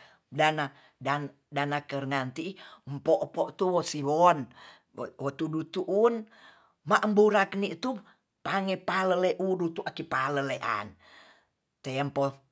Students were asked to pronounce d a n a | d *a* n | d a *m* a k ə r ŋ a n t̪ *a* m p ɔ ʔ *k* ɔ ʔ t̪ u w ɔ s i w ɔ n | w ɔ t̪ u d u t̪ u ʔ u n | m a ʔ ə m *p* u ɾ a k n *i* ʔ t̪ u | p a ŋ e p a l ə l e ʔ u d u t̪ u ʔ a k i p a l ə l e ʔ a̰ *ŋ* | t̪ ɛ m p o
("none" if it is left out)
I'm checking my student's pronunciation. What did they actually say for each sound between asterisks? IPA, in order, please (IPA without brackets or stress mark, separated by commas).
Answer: a, n, i, p, b, i, n